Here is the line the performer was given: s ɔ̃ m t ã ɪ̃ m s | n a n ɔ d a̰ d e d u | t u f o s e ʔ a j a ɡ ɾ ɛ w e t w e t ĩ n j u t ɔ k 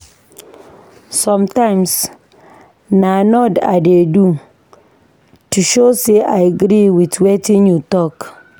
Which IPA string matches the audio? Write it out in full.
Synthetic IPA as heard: s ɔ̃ m t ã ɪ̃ m s | n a n ɔ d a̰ d e d u | t u ʃ o s e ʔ a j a ɡ ɾ i w i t w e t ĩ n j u t ɔ k